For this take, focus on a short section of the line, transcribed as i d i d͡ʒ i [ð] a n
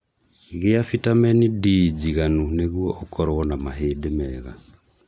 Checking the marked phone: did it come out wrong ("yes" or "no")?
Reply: yes